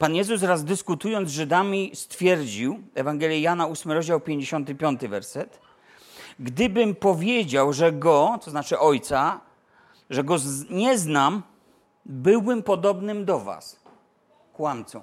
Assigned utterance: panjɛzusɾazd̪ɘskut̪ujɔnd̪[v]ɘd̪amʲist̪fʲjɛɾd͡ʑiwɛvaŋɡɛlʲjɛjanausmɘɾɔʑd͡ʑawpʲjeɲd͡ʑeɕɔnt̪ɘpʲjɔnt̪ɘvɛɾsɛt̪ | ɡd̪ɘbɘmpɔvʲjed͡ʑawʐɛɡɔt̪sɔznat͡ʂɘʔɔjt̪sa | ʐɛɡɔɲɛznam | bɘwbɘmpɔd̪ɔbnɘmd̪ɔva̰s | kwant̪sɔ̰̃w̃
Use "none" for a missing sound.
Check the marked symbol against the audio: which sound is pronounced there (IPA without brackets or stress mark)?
ʐ